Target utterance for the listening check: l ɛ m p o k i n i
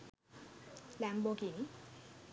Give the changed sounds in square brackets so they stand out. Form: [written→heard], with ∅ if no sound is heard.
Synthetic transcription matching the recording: l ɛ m [p→b] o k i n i